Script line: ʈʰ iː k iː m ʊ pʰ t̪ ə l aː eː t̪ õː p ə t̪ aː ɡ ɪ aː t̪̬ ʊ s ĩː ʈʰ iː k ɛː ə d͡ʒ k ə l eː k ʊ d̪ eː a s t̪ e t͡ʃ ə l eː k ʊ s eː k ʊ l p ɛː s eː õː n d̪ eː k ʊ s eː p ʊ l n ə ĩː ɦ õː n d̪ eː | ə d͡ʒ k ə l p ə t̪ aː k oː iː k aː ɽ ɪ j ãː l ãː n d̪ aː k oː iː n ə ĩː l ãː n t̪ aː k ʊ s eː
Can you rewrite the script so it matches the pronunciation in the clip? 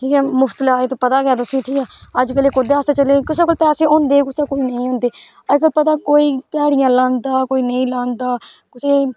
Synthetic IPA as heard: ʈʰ iː k ɛː m ʊ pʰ t̪ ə l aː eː t̪ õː p ə t̪ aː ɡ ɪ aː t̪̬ ʊ s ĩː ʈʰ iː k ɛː ə d͡ʒ k ə l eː k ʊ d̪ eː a s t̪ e t͡ʃ ə l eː k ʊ s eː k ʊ l p ɛː s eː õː n d̪ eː k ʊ s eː k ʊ l n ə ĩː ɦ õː n d̪ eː | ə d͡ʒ k ə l p ə t̪ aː k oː iː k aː ɽ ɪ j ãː l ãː n d̪ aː k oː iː n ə ĩː l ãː n d̪ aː k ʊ s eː